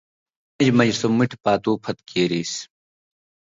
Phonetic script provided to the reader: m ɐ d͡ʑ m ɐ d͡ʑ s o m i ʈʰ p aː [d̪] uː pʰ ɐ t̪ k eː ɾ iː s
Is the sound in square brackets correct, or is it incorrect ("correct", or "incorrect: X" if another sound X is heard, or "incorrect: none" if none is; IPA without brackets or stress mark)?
incorrect: t̪